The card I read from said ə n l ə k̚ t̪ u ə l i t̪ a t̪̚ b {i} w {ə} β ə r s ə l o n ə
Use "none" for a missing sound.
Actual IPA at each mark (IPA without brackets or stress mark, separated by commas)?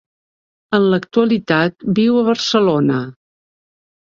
i, ə